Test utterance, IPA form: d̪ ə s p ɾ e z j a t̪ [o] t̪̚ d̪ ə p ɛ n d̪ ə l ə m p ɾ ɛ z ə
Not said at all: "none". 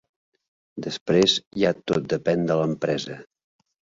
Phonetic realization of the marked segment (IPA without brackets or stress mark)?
o